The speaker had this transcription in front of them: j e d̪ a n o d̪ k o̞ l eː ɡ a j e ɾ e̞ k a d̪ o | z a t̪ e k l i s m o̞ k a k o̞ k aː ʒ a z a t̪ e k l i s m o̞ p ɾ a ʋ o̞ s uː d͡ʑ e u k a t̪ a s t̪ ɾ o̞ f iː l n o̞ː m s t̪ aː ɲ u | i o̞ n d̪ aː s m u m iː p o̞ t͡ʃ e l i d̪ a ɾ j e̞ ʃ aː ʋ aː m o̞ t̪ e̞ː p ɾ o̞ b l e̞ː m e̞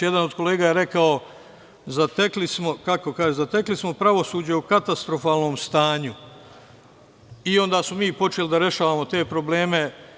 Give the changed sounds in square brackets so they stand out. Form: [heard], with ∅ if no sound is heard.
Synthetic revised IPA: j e d̪ a n o d̪ k o̞ l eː ɡ a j e ɾ e̞ k a [∅] o | z a t̪ e k l i s m o̞ k a k o̞ k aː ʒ [e] z a t̪ e k l i s m o̞ p ɾ a ʋ o̞ s uː d͡ʑ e u k a t̪ a s t̪ ɾ o̞ f [aː] l n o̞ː m s t̪ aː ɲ u | i o̞ n d̪ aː s m [o] m iː p o̞ t͡ʃ e l i d̪ a ɾ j e̞ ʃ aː ʋ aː m o̞ t̪ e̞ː p ɾ o̞ b l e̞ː m e̞